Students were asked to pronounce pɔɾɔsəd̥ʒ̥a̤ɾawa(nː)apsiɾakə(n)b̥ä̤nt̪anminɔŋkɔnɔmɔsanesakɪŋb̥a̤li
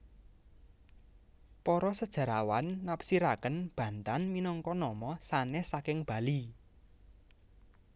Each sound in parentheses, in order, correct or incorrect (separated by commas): correct, correct